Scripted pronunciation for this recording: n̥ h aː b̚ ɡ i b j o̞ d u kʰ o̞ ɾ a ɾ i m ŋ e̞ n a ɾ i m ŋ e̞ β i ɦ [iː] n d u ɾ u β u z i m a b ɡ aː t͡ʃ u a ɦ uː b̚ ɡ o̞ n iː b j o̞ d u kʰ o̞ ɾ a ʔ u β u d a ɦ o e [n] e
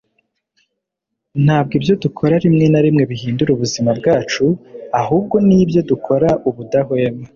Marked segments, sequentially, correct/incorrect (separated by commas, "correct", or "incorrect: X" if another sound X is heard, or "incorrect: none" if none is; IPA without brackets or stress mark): correct, incorrect: m